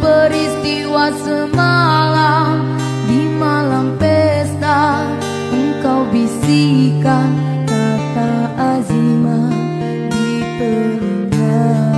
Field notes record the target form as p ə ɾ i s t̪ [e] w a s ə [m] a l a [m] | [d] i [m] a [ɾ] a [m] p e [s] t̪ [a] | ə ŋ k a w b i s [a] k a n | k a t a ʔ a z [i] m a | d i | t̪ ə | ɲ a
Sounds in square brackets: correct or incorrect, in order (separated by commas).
incorrect, correct, correct, correct, correct, incorrect, correct, correct, correct, incorrect, correct